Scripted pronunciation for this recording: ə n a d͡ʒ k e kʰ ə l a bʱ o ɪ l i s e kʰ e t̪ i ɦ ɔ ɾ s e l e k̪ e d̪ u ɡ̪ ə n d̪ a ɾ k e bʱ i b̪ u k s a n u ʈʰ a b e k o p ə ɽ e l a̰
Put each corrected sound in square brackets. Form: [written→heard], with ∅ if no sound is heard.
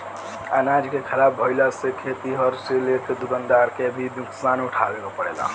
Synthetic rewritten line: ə n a d͡ʒ k e kʰ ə l a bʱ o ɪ l [i→a] s e kʰ e t̪ i ɦ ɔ ɾ s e l e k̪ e d̪ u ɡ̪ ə n d̪ a ɾ k e bʱ i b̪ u k s a n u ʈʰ a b e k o p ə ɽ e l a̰